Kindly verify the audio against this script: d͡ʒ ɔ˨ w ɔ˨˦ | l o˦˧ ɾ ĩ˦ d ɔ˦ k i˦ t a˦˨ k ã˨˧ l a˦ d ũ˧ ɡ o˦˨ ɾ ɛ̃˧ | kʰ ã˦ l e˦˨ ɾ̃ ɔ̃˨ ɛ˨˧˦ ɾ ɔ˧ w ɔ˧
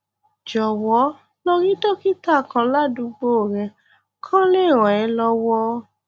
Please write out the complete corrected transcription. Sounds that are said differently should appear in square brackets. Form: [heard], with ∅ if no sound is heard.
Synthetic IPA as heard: d͡ʒ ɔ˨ w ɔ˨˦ | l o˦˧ ɾ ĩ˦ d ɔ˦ k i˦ t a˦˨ k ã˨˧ l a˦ d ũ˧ [ɡ͡b] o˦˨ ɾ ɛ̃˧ | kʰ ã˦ l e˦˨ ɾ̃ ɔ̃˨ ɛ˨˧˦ [l] ɔ˧ w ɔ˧